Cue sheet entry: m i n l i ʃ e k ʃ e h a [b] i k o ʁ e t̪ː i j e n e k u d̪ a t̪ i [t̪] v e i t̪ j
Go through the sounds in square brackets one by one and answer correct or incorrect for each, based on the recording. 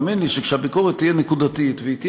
correct, correct

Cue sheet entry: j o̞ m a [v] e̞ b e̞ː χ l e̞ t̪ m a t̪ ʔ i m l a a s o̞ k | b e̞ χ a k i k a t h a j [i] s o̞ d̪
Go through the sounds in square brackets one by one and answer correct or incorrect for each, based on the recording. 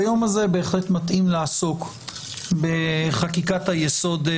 incorrect, incorrect

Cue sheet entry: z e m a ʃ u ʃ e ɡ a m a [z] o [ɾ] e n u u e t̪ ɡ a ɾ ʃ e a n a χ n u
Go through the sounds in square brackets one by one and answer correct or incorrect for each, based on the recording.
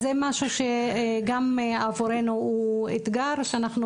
incorrect, correct

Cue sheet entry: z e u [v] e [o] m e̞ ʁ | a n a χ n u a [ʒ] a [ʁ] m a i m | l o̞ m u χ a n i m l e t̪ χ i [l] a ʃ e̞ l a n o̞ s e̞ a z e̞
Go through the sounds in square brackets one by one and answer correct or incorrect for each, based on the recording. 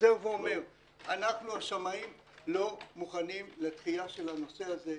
correct, correct, incorrect, incorrect, incorrect

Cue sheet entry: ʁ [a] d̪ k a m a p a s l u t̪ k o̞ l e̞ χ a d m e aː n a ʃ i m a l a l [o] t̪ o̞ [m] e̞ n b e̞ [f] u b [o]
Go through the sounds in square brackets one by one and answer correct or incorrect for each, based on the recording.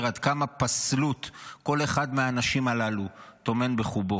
correct, incorrect, correct, incorrect, correct

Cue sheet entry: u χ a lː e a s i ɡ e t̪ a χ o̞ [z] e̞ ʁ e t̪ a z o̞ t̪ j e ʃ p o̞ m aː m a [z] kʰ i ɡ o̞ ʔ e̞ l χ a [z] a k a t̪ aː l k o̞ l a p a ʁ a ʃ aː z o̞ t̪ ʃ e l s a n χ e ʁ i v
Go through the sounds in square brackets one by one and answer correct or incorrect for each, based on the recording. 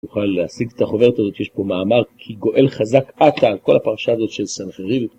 incorrect, incorrect, correct

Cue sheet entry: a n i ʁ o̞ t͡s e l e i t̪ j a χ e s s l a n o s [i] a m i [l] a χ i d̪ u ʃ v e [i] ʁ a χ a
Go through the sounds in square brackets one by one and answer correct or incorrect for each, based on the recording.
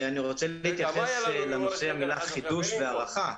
incorrect, correct, incorrect

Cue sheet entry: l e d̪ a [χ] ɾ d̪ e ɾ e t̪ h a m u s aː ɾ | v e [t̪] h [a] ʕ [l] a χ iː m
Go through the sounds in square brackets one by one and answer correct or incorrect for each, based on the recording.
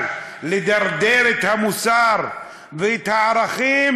incorrect, correct, correct, incorrect

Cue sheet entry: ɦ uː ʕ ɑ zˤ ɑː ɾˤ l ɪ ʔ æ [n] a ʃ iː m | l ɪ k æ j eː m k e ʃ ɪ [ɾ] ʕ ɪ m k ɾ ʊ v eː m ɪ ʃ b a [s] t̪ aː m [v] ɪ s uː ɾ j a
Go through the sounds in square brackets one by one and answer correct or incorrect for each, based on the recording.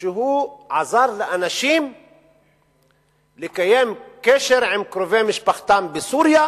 correct, correct, incorrect, incorrect

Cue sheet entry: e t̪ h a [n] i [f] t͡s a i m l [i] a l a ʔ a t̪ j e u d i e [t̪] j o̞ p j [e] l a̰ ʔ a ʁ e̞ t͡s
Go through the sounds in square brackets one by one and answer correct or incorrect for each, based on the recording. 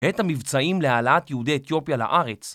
incorrect, incorrect, incorrect, correct, incorrect

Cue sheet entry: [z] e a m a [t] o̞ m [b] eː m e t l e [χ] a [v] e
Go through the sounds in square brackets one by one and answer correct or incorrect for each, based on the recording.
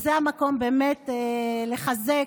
correct, incorrect, correct, correct, incorrect

